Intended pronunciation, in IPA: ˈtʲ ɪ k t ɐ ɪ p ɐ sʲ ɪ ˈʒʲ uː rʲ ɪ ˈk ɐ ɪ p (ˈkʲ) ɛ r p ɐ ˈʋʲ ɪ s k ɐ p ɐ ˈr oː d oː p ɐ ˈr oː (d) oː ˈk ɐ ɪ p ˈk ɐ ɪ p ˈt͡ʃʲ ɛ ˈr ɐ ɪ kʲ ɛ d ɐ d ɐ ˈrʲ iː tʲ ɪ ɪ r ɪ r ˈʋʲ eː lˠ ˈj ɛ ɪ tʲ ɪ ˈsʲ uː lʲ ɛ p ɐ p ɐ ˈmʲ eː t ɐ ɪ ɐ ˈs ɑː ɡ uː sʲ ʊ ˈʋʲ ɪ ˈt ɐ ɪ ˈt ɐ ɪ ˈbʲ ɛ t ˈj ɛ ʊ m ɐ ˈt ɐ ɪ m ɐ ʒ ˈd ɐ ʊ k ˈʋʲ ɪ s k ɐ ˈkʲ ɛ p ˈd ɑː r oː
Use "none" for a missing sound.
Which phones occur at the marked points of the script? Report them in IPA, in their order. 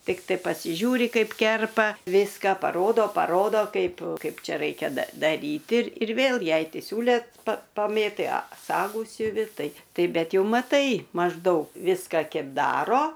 kʲ, d

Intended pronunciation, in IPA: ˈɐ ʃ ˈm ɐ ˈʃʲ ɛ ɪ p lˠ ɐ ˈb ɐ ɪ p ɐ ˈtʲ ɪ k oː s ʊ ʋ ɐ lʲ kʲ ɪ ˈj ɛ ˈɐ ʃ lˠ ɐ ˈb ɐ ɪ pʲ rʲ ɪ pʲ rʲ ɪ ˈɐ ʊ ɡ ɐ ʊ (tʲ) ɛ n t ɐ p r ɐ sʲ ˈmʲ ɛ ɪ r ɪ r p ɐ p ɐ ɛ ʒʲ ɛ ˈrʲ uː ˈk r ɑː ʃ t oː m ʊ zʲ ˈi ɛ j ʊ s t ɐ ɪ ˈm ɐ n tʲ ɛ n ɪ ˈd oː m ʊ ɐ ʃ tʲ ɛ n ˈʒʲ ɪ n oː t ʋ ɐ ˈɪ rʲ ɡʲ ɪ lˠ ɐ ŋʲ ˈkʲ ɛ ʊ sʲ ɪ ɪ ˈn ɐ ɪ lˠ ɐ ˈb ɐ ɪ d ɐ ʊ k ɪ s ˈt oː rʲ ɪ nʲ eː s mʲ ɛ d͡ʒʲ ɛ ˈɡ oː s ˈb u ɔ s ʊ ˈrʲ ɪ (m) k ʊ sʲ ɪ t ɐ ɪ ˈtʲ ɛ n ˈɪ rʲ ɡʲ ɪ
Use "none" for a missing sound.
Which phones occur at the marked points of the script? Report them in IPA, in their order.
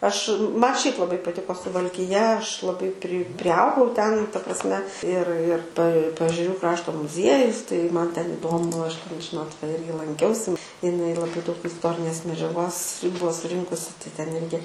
tʲ, ŋ

